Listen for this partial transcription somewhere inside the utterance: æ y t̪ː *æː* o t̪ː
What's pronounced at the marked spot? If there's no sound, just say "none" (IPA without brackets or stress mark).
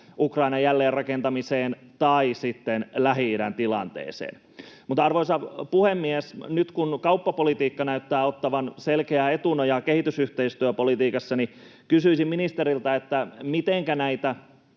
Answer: æː